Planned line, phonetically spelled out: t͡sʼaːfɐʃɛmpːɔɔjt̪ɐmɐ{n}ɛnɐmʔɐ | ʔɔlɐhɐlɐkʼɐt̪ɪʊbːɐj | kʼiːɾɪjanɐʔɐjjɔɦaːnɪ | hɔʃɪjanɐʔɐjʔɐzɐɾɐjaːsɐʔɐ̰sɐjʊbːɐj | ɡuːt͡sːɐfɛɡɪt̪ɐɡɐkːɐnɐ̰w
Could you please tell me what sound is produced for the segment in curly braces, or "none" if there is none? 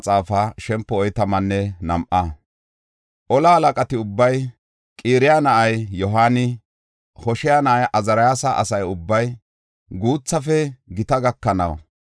nː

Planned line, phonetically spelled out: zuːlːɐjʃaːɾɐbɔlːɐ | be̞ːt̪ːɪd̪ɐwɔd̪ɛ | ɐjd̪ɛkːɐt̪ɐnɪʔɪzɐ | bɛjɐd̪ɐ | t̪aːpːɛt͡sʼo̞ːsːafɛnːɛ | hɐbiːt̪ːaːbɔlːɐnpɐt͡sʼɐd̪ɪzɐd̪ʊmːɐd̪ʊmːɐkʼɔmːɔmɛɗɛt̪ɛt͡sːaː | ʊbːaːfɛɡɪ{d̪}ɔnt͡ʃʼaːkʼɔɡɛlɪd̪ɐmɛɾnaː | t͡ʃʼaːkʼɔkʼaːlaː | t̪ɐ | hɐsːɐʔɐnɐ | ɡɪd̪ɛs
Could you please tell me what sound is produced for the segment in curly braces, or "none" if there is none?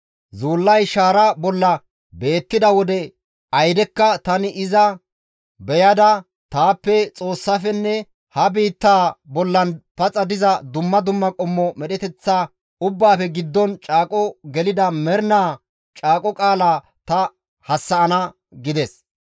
d̪ː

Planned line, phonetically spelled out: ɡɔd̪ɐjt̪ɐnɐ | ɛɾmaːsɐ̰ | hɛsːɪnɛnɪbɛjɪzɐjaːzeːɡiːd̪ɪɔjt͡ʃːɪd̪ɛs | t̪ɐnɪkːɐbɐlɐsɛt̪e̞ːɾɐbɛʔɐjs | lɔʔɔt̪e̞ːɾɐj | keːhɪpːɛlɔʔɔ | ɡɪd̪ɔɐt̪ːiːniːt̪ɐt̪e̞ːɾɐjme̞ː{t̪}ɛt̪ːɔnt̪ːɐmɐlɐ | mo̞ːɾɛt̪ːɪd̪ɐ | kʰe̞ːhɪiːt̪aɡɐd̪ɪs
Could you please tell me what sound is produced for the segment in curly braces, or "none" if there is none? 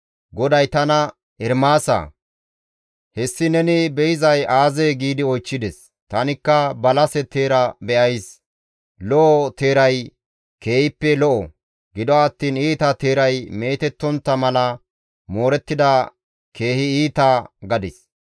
t̪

